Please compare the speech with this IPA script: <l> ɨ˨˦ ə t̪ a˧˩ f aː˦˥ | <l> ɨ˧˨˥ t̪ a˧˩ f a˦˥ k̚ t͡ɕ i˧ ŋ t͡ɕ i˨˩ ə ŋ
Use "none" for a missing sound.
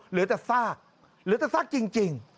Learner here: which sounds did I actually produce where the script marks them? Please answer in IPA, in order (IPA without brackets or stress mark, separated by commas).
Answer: l, l